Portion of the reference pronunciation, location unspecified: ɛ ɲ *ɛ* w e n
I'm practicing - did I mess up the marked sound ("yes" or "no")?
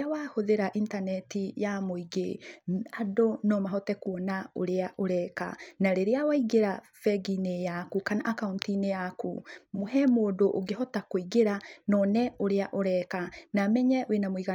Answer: no